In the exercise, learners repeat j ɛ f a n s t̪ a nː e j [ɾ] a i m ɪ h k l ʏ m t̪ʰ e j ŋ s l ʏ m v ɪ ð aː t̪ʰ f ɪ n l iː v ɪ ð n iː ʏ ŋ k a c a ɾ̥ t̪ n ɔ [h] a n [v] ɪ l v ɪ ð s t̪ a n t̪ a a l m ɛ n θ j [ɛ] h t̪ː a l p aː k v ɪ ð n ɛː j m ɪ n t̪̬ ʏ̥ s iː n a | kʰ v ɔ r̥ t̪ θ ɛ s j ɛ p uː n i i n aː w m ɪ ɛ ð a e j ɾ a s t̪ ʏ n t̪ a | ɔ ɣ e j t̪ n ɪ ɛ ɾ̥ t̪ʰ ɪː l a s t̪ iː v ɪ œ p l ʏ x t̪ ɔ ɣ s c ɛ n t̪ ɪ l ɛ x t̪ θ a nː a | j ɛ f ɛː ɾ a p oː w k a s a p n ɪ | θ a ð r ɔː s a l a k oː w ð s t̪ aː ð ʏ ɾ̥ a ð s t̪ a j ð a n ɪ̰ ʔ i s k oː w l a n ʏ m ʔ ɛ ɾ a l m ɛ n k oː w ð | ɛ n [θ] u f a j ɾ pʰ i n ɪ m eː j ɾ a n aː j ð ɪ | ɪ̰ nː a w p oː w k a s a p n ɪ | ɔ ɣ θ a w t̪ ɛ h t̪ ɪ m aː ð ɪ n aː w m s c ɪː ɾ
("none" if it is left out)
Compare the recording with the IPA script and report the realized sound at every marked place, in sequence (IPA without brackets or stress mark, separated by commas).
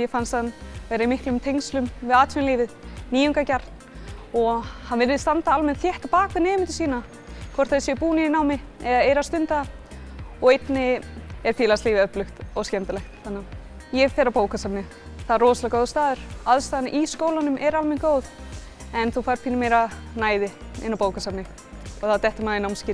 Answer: ɾ, h, v, ɛ, θ